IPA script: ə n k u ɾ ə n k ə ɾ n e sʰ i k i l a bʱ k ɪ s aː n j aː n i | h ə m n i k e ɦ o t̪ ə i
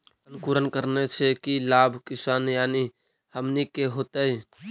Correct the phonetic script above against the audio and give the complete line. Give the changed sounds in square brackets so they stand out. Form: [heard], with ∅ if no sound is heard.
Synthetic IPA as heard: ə n k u ɾ ə n k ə ɾ n e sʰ [e] k i l a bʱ k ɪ s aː n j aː n i | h ə m n i k e ɦ o t̪ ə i